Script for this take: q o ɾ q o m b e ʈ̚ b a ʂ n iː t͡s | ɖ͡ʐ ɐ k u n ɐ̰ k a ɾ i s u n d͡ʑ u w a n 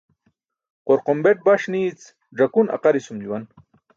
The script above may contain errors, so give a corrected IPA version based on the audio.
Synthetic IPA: q o ɾ q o m b e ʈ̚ b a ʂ n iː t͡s | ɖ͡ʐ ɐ k u n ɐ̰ q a ɾ i s u m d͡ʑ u w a n